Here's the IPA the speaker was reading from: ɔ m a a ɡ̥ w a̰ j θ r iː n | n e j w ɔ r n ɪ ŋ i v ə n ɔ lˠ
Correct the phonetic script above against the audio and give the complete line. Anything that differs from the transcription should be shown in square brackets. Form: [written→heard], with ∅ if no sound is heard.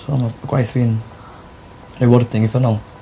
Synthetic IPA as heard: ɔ m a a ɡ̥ w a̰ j θ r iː n | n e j w ɔ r [n→d] ɪ ŋ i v ə n ɔ lˠ

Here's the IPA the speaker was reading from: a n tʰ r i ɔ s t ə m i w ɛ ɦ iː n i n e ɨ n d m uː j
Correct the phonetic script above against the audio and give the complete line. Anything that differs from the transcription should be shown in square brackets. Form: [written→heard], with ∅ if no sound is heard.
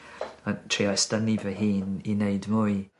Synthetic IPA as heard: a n tʰ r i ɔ s t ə [m→n] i [w→v] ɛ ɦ iː n i n e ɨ [n→∅] d m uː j

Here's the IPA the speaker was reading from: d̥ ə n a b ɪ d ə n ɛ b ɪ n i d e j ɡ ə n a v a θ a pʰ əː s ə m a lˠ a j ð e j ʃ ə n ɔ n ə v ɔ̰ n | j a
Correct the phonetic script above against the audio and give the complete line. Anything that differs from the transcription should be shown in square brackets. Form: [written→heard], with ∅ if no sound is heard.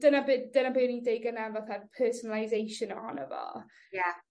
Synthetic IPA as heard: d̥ ə n a b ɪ d ə n [ɛ→a] b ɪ n i d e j ɡ ə n a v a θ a pʰ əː s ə [m→n] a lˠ a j [ð→z] e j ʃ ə n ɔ n ə v ɔ̰ [n→∅] | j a

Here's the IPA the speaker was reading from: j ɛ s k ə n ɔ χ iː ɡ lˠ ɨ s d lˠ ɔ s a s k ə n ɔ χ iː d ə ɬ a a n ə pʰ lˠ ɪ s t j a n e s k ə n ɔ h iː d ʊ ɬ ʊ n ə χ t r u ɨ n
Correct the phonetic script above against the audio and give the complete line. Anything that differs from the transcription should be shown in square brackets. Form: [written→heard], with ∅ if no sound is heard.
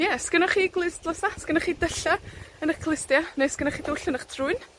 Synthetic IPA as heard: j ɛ s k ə n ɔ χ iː ɡ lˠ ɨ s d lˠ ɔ s a s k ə n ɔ χ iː d ə ɬ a [a→ə] n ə [pʰ→kʰ] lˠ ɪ s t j a n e s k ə n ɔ [h→χ] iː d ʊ ɬ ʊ n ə χ [t→tʰ] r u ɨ n

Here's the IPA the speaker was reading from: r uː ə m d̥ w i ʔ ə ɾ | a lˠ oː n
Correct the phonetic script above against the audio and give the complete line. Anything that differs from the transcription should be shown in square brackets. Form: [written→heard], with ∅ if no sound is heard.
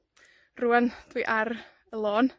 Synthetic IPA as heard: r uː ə [m→n] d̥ w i ʔ [ə→a] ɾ | [a→ə] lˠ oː n

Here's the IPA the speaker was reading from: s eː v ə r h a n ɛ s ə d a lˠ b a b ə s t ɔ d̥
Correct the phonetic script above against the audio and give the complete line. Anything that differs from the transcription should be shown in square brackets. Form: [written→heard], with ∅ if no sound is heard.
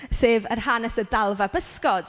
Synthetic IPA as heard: s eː v ə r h a n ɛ s ə d a lˠ [b→v] a b ə s [t→k] ɔ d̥

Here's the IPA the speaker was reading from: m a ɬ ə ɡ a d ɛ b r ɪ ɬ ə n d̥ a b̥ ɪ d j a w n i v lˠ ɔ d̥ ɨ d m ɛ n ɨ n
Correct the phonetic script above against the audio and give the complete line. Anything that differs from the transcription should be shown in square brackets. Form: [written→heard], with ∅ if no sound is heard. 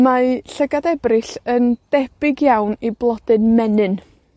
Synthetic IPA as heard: m a ɬ ə ɡ a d ɛ b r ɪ ɬ ə n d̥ [a→ɛ] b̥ ɪ [d→ɡ] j a w n i [v→b] lˠ ɔ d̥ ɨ [d→n] m ɛ n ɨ n

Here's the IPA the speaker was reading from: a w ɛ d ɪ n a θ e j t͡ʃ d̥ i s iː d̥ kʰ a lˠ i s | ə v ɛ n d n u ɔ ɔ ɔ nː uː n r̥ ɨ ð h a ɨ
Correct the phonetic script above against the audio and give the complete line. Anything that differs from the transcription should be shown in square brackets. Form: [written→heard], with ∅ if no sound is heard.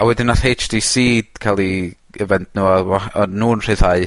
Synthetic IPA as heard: a w ɛ d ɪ n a θ e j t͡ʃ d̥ i s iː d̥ kʰ a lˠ i [s→∅] | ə v ɛ n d n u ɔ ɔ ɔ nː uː n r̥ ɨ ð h a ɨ

